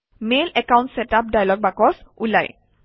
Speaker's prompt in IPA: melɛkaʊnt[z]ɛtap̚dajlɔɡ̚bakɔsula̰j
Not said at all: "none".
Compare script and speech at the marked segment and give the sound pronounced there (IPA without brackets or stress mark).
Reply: s